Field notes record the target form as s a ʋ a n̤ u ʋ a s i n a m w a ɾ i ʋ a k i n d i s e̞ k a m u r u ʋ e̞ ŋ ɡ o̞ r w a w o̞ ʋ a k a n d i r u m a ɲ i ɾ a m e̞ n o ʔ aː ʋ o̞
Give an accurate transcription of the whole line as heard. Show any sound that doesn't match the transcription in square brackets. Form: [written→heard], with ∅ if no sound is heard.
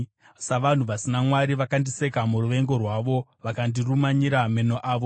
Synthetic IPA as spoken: s a ʋ a n̤ u ʋ a s i n a m w a ɾ i ʋ a k [i→a] n d i s e̞ k a m u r u ʋ e̞ ŋ ɡ o̞ r w a [w→ʋ] o̞ ʋ a k a n d i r u m a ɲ i ɾ a m e̞ n o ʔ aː ʋ o̞